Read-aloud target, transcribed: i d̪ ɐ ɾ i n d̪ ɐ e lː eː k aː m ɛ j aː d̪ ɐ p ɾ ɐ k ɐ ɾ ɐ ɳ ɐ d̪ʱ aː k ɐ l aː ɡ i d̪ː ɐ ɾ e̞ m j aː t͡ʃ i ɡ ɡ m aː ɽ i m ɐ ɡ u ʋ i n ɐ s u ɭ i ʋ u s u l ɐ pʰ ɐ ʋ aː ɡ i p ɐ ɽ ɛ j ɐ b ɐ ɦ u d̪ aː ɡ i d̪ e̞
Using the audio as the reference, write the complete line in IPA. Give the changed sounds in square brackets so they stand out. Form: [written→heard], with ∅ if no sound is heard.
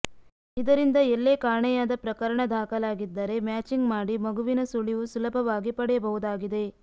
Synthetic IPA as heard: i d̪ ɐ ɾ i n d̪ ɐ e lː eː k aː [m→ɳ] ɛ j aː d̪ ɐ p ɾ ɐ k ɐ ɾ ɐ ɳ ɐ d̪ʱ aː k ɐ l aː ɡ i d̪ː ɐ ɾ e̞ m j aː t͡ʃ i [ɡ→ŋ] ɡ m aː ɽ i m ɐ ɡ u ʋ i n ɐ s u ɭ i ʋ u s u l ɐ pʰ ɐ ʋ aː ɡ i p ɐ ɽ ɛ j ɐ b ɐ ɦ u d̪ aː ɡ i d̪ e̞